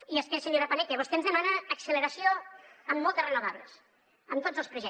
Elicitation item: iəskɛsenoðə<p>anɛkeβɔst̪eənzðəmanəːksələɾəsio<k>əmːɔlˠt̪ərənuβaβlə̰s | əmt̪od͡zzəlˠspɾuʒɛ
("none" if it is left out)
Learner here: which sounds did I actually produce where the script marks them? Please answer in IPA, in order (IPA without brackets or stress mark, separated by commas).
p, none